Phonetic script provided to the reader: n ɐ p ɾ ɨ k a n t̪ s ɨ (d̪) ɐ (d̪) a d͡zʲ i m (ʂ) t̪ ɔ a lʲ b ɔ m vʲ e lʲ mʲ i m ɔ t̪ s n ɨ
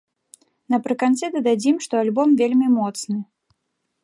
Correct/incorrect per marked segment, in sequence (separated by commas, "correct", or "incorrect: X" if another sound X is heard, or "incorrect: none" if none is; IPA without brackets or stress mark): correct, correct, correct